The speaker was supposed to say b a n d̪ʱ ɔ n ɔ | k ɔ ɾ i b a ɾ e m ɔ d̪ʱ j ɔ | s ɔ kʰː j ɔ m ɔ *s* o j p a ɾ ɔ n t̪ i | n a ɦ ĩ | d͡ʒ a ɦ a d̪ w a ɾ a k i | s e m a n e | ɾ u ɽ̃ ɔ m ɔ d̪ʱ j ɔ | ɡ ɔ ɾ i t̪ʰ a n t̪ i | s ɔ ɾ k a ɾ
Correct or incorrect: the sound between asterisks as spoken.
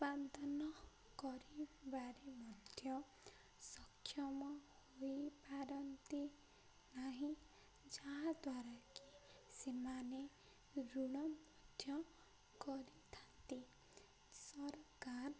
incorrect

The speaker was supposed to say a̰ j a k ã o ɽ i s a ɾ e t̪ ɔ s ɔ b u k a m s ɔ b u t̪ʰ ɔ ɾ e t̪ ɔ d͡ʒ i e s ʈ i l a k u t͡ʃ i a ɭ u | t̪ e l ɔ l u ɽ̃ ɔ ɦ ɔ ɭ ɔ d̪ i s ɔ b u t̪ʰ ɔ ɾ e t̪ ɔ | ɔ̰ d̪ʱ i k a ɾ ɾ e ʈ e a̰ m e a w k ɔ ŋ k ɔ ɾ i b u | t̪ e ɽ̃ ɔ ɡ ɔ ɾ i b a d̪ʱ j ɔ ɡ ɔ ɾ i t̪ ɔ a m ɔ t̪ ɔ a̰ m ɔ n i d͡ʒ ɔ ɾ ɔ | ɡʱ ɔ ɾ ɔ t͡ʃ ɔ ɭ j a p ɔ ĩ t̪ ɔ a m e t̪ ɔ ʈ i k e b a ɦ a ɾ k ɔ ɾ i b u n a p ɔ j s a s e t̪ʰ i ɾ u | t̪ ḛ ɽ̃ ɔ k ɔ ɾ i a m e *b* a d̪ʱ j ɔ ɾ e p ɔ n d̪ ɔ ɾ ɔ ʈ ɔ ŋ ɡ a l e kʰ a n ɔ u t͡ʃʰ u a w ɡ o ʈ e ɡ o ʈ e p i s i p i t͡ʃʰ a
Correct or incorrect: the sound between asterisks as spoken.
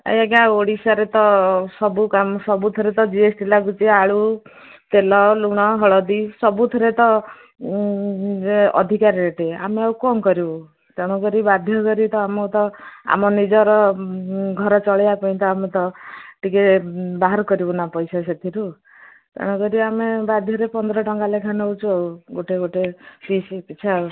correct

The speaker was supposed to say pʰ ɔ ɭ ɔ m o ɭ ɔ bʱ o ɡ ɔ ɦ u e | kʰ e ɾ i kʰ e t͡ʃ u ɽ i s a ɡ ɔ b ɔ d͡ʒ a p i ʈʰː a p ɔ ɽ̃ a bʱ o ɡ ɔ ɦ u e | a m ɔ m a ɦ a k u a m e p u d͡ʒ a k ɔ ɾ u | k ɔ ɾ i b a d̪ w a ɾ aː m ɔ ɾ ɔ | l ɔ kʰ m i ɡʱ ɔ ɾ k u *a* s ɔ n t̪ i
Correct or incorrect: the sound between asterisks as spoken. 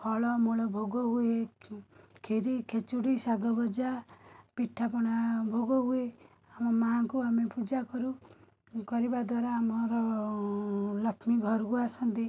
correct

